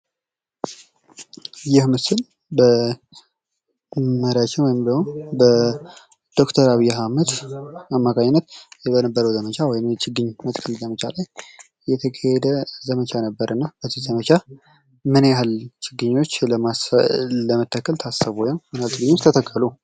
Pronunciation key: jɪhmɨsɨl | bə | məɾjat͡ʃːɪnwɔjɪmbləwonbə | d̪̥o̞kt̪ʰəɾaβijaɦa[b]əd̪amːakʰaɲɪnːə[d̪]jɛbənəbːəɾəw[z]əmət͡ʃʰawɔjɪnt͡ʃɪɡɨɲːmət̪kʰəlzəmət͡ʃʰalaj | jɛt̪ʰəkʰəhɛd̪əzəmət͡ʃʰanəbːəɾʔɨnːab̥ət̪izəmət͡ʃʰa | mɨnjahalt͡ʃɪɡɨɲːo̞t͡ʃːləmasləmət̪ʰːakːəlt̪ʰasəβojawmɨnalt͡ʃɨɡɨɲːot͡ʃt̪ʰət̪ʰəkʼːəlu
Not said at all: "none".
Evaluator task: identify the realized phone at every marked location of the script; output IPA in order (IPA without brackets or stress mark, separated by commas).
m, t̪, z